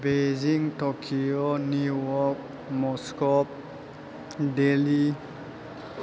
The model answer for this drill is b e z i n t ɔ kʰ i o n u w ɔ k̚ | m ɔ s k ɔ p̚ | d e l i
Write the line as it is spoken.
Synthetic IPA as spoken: b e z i ŋ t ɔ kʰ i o n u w ɔ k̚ | m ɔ s k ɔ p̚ | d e l i